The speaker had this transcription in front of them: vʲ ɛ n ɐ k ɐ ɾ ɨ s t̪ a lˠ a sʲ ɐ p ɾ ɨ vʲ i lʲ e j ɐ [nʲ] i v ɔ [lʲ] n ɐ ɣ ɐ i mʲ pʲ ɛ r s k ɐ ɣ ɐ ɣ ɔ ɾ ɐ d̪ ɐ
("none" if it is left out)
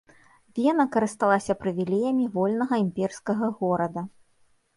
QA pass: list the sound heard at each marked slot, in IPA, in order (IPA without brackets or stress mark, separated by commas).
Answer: mʲ, lʲ